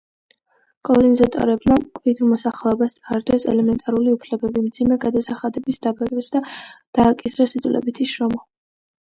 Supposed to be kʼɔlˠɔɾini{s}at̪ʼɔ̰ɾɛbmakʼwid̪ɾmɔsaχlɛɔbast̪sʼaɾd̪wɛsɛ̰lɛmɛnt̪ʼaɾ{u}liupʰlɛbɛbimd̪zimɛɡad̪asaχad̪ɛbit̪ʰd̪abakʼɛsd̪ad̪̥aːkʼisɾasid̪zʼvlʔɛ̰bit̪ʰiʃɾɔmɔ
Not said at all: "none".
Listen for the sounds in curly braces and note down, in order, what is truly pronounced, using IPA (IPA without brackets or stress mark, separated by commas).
z, u